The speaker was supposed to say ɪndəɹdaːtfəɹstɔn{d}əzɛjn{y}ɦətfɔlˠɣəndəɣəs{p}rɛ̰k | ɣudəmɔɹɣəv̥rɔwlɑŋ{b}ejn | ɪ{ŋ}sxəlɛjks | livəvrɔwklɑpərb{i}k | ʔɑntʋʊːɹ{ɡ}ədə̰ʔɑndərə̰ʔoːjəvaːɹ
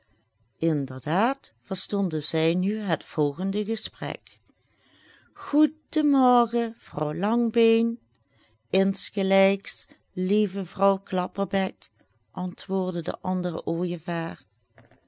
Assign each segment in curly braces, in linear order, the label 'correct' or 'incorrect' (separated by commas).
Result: correct, correct, correct, correct, incorrect, incorrect, incorrect